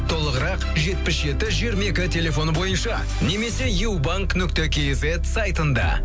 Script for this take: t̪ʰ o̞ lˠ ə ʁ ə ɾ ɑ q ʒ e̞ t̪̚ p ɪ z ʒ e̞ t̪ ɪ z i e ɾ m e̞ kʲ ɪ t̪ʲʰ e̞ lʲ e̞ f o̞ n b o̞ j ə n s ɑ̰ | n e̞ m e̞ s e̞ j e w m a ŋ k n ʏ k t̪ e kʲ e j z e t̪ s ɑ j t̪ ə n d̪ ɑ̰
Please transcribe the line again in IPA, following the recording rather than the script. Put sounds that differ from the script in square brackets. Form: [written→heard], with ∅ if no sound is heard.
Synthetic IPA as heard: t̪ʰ o̞ lˠ ə ʁ ə ɾ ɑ q ʒ e̞ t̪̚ p ɪ [z→s] ʒ e̞ t̪ ɪ [z→ʒ] i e ɾ m e̞ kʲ ɪ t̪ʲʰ e̞ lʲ e̞ f o̞ n b o̞ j ə n [s→ʃ] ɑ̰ | n e̞ m e̞ s e̞ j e w [m→b] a ŋ k n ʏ k t̪ e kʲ e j z e t̪ s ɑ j t̪ ə n d̪ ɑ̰